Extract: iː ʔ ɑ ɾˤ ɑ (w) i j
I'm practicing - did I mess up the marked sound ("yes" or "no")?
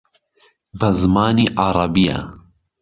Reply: yes